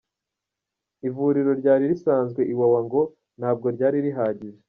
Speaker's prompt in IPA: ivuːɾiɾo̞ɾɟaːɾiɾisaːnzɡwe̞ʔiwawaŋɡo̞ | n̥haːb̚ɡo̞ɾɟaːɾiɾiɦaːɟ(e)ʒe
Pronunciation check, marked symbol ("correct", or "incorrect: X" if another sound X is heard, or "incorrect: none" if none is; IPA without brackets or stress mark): incorrect: i